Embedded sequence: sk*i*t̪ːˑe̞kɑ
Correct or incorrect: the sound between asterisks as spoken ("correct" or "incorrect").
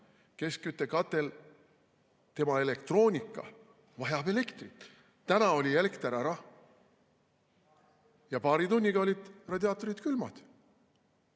incorrect